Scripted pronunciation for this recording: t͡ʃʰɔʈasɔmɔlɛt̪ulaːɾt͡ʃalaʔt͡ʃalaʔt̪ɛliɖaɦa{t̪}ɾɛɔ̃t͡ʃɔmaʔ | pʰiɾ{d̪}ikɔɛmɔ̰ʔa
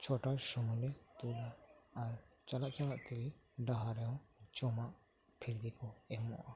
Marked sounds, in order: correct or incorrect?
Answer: incorrect, correct

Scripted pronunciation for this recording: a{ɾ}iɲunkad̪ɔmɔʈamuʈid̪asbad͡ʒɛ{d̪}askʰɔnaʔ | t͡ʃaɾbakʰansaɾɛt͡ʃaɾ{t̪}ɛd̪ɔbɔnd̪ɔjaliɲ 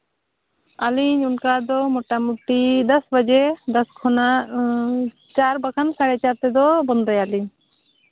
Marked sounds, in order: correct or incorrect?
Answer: incorrect, correct, correct

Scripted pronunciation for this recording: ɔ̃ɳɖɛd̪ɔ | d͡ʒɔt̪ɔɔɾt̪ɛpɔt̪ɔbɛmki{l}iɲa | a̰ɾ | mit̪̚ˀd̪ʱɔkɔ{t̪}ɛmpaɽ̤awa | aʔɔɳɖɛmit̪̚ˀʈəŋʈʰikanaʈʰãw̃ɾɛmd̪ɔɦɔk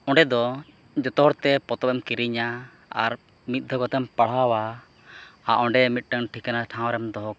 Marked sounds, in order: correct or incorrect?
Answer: incorrect, correct

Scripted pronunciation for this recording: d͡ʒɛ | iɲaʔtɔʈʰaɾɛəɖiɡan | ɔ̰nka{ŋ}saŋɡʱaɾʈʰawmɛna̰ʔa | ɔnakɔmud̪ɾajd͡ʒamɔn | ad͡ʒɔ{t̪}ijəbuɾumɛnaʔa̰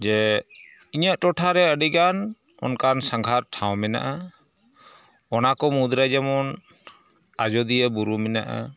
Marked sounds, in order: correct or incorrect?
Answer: incorrect, incorrect

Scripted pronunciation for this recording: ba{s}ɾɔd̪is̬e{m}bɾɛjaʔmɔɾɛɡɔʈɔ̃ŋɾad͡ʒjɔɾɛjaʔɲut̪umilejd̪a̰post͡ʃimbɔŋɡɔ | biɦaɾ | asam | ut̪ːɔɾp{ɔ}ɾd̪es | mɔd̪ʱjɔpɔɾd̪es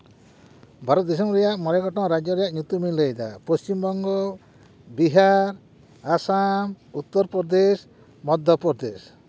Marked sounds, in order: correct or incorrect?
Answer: incorrect, correct, correct

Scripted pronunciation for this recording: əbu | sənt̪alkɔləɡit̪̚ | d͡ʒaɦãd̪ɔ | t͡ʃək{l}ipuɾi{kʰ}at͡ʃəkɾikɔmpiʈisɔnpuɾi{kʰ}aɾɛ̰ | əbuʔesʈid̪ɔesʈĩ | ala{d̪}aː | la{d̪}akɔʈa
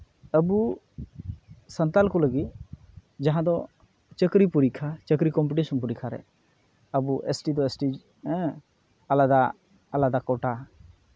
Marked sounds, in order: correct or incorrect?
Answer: incorrect, correct, correct, correct, correct

